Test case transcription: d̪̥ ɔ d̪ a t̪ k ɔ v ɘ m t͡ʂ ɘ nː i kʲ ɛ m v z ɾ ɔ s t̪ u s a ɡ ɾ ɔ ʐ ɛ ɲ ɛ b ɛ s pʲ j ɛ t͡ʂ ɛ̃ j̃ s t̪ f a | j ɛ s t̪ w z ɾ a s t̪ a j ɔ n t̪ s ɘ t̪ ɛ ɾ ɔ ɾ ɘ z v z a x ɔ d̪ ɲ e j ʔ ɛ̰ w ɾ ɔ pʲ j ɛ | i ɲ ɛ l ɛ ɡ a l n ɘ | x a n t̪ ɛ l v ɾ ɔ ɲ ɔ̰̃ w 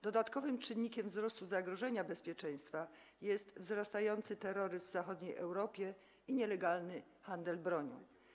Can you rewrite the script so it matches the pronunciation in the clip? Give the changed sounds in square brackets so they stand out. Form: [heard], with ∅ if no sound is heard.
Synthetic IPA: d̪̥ ɔ d̪ a t̪ k ɔ v ɘ m t͡ʂ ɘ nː i kʲ ɛ m v z ɾ ɔ s t̪ u [z] a ɡ ɾ ɔ ʐ ɛ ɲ [a] b ɛ s pʲ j ɛ t͡ʂ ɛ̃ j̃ s t̪ f a | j ɛ s t̪ [v] z ɾ a s t̪ a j ɔ n t̪ s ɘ t̪ ɛ ɾ ɔ ɾ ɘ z v z a x ɔ d̪ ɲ e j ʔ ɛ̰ w ɾ ɔ pʲ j ɛ | i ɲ ɛ l ɛ ɡ a l n ɘ | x a n [d̪] ɛ l [b] ɾ ɔ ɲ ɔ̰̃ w